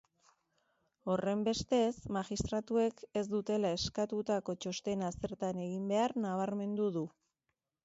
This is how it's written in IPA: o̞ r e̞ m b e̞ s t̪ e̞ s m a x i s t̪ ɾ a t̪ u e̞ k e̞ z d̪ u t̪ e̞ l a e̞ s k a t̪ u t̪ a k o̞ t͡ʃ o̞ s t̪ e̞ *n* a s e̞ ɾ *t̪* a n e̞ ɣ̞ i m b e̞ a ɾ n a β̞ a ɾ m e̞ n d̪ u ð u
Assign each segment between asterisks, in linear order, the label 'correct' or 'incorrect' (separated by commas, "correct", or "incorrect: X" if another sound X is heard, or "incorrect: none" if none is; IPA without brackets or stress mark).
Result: correct, correct